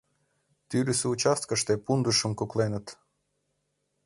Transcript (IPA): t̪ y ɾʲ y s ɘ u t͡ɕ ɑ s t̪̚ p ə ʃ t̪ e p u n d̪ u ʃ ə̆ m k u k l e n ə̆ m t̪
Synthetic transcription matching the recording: t̪ y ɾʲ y s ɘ u t͡ɕ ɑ s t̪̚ k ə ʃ t̪ e p u n d̪ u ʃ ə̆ m k u k l e n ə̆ t̪